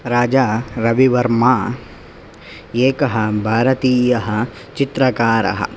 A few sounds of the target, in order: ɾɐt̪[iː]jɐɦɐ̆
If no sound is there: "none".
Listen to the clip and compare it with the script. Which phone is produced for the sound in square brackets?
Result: iː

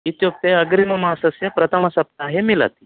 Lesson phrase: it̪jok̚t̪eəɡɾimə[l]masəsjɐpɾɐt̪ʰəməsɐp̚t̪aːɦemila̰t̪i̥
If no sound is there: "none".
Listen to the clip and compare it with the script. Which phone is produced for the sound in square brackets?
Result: none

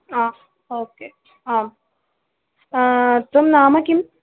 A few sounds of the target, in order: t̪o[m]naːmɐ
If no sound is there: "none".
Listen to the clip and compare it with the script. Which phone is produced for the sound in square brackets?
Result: m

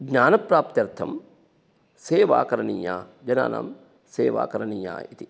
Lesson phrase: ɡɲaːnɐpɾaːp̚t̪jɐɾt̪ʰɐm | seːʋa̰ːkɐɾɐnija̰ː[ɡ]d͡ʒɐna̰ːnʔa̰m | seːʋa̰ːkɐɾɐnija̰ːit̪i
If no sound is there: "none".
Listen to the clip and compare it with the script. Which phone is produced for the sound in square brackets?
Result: none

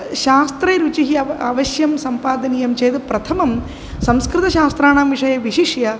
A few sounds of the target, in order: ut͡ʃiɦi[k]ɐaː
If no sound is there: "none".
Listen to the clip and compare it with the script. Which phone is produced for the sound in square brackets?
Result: none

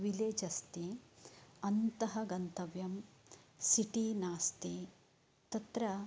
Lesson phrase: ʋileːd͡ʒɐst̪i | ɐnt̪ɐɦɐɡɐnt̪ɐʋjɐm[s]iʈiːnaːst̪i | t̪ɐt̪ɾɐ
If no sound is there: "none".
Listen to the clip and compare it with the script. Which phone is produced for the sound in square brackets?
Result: s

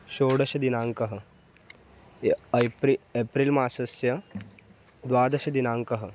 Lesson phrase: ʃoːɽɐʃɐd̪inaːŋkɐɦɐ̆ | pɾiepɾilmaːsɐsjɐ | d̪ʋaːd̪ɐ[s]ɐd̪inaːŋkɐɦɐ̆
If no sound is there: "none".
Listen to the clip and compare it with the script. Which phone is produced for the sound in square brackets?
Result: ʃ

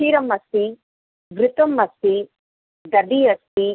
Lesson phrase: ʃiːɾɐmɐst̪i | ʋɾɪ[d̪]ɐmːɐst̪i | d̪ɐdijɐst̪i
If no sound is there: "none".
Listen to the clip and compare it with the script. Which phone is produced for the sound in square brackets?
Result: t̪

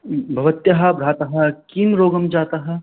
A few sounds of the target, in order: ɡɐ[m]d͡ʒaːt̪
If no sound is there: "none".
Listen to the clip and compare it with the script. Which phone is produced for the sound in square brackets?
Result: m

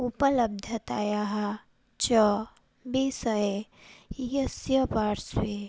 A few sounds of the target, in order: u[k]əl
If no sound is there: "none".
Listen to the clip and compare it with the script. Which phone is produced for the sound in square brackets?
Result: p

